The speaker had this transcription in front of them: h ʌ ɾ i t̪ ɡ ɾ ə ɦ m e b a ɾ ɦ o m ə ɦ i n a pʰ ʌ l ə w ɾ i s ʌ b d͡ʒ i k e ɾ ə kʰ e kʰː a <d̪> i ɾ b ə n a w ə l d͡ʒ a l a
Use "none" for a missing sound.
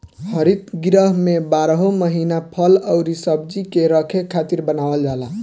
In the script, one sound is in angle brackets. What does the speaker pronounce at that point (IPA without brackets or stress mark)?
t̪